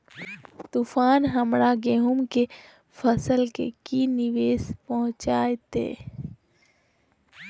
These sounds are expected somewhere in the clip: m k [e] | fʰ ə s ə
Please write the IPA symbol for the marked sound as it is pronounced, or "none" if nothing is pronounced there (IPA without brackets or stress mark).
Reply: e